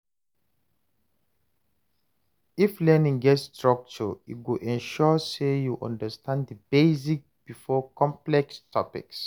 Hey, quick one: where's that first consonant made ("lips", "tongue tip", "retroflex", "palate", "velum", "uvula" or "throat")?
lips